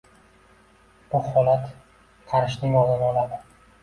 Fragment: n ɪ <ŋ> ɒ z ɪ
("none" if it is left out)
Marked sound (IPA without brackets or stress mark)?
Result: ŋ